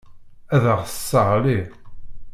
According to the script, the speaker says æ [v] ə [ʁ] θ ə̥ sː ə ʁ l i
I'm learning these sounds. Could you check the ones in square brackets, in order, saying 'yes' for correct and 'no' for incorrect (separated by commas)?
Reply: no, yes